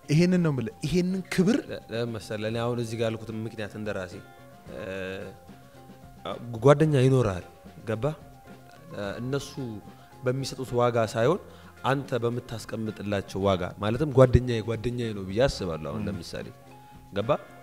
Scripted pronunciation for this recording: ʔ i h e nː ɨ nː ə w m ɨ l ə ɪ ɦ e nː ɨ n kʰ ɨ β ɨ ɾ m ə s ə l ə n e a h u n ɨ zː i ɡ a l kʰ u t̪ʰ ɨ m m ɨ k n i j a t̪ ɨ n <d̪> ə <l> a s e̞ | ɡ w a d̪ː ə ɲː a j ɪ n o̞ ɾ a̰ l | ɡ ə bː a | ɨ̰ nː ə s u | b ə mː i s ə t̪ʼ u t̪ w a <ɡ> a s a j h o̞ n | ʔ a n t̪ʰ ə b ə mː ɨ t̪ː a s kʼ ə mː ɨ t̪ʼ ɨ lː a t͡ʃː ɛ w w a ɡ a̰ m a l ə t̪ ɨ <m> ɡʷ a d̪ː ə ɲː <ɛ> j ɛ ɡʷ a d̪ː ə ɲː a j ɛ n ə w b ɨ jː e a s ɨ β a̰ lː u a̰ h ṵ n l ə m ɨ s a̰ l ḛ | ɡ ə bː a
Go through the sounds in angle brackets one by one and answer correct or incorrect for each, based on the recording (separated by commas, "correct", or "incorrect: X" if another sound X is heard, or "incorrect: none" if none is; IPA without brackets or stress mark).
correct, incorrect: ɾ, correct, correct, incorrect: a